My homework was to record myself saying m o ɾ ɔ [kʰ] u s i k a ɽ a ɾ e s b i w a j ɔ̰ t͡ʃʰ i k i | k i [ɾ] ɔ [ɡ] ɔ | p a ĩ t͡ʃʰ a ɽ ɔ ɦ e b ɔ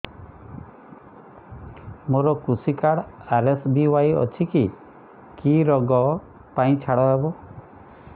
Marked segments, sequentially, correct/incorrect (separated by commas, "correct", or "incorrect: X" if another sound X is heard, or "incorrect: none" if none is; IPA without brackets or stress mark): incorrect: k, correct, correct